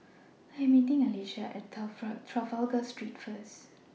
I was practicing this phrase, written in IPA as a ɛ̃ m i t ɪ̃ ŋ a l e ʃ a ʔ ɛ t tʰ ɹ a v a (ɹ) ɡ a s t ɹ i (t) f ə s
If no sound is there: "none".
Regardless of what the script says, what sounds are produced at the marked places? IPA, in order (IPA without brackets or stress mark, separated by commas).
l, t